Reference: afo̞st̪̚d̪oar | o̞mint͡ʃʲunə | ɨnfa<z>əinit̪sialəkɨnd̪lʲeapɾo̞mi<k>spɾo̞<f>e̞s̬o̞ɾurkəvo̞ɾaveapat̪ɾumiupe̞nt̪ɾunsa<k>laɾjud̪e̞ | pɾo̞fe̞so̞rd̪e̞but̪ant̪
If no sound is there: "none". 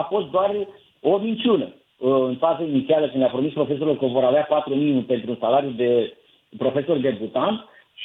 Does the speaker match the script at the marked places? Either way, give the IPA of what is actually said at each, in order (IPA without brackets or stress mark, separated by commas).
z, none, f, none